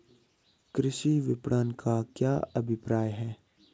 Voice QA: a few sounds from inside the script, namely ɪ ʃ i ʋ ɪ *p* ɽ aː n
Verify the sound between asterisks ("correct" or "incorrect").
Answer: correct